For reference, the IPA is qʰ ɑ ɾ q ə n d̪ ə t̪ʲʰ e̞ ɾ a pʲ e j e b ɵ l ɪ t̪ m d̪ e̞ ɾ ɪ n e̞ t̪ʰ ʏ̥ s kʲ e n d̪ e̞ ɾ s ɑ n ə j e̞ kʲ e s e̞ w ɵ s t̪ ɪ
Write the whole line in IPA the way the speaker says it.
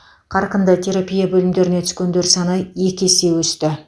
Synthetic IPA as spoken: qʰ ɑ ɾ q ə n d̪ ə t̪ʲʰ e̞ ɾ a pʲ i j a b ɵ l ɪ m d̪ e̞ ɾ ɪ n e̞ t̪ʰ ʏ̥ s kʲ e n d̪ e̞ ɾ s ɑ n ə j e̞ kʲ e s e̞ w ɵ s t̪ ɪ